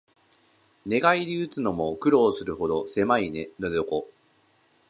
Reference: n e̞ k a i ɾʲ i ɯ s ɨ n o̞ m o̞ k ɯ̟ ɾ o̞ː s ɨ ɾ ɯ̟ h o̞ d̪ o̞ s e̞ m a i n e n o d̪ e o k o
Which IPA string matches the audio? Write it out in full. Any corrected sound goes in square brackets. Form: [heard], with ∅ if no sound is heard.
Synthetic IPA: n e̞ [ɡ] a i ɾʲ i ɯ [t͡s] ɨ n o̞ m o̞ k ɯ̟ ɾ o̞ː s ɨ ɾ ɯ̟ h o̞ d̪ o̞ s e̞ m a i n e n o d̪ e o k o